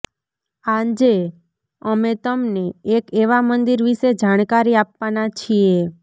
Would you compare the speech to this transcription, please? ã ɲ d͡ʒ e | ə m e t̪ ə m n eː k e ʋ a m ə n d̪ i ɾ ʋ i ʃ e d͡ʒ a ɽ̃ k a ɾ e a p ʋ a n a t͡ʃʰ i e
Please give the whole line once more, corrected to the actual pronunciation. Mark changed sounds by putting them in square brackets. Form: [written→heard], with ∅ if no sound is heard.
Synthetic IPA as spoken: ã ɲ d͡ʒ e | ə m e t̪ ə m n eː k e ʋ a m ə n d̪ i ɾ ʋ i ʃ e d͡ʒ a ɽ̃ k a ɾ [e→i] a p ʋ a n a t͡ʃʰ i e